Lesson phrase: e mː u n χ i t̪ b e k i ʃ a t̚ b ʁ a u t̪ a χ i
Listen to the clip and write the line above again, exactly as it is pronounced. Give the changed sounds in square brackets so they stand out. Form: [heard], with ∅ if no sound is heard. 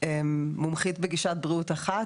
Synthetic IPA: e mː u [m] χ i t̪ b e [ɡ] i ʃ a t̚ b ʁ [i] u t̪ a χ [a]